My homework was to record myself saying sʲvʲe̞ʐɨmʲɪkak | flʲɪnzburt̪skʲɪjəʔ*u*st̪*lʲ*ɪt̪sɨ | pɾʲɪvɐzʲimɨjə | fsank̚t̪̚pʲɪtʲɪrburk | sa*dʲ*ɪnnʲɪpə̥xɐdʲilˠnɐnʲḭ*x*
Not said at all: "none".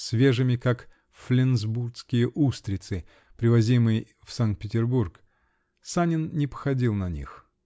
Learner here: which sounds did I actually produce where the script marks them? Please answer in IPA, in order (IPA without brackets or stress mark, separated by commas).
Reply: u, ɾʲ, nʲ, x